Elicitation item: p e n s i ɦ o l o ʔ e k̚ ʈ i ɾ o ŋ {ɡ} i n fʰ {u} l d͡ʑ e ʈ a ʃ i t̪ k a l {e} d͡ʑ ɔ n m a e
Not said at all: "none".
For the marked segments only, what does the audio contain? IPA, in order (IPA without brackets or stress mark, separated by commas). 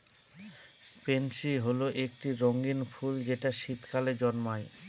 ɡ, u, e